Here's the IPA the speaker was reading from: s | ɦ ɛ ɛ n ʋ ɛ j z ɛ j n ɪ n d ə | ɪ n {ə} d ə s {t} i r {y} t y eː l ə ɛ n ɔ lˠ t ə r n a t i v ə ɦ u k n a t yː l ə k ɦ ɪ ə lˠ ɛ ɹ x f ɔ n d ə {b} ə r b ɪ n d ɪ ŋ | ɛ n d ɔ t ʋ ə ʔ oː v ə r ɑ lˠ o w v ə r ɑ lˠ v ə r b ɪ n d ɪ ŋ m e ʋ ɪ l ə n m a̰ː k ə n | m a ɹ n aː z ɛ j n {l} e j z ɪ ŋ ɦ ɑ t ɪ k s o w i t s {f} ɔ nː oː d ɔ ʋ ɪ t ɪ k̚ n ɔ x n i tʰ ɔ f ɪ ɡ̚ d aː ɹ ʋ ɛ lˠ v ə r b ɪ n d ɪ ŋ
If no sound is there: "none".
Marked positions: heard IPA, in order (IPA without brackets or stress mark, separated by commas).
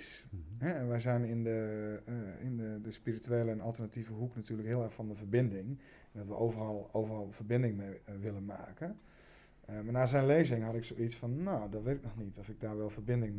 ə, p, i, v, l, f